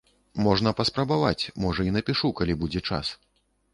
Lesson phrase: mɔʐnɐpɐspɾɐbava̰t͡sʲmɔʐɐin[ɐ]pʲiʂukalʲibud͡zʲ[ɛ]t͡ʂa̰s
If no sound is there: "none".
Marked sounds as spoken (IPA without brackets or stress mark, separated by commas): ɐ, ɛ